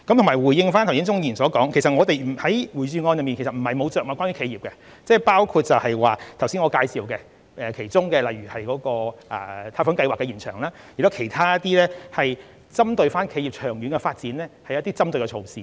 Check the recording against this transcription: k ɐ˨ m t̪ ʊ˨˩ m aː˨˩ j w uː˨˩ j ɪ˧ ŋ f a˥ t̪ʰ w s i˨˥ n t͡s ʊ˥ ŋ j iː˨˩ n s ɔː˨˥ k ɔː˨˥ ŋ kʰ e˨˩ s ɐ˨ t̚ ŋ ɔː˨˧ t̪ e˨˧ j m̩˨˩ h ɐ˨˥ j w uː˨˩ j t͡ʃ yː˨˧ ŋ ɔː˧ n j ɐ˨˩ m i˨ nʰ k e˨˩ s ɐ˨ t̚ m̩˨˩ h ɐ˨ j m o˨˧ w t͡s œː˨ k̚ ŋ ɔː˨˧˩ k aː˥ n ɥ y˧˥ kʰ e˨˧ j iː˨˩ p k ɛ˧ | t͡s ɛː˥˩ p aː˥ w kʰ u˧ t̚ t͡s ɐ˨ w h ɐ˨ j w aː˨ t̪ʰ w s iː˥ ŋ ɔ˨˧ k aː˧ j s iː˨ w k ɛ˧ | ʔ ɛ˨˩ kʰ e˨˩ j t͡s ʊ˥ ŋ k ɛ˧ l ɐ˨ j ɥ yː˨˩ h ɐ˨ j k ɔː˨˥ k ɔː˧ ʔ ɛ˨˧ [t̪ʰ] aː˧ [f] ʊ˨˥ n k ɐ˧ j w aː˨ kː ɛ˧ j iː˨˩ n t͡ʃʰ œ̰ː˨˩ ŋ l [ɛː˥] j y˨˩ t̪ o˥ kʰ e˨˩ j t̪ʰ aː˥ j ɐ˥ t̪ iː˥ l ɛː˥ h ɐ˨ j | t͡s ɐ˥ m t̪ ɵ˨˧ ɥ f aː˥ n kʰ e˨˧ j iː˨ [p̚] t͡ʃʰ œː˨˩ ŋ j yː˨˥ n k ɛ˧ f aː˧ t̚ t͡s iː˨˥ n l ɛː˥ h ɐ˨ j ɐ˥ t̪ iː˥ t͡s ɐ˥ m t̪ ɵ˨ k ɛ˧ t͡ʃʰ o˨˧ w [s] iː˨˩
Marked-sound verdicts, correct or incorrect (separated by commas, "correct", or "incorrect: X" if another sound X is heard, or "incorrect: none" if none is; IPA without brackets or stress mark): correct, correct, incorrect: aː˥, correct, correct